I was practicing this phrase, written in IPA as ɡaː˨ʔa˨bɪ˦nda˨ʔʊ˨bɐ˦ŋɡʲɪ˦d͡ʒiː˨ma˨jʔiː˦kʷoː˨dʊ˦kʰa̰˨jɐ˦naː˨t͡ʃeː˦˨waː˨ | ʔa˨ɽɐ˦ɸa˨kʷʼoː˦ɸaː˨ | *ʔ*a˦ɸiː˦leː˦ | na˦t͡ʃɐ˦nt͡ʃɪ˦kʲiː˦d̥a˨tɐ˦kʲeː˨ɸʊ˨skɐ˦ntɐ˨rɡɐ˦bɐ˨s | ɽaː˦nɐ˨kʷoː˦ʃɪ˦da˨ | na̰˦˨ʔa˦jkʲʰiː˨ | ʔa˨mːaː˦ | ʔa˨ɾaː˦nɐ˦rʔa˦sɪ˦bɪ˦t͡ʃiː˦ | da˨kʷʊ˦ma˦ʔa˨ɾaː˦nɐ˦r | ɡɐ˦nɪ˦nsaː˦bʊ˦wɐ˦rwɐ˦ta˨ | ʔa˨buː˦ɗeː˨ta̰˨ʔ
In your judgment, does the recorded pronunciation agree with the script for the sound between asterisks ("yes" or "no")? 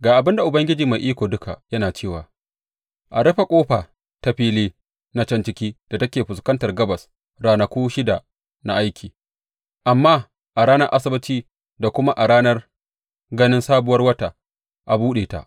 no